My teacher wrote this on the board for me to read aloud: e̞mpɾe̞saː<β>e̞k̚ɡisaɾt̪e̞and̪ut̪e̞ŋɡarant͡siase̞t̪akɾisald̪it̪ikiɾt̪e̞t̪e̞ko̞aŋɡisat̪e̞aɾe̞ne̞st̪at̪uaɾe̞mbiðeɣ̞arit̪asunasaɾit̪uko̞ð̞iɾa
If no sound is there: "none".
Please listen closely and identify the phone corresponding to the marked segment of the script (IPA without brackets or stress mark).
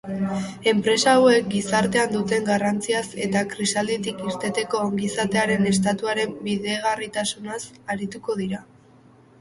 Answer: w